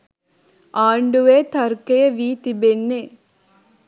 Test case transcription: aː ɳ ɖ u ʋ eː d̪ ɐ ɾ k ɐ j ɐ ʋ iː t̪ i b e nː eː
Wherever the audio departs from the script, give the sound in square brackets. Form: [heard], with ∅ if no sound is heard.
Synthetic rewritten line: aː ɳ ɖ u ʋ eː [t̪] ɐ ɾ k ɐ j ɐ ʋ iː t̪ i b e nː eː